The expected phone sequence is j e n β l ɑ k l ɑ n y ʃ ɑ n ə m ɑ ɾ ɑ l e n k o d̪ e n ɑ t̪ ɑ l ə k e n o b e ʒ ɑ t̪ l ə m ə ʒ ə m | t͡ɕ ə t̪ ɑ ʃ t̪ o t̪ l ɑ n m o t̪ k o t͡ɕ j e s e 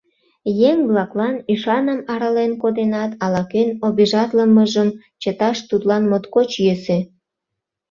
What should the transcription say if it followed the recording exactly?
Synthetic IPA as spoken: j e ŋ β l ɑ k l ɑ n y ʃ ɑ n ə m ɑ ɾ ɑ l e n k o d̪ e n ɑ t̪ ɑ l ɑ k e n o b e ʒ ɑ t̪ l ə m ə ʒ ə m | t͡ɕ ə t̪ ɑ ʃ t̪ u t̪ l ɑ n m o t̪ k o t͡ɕ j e s e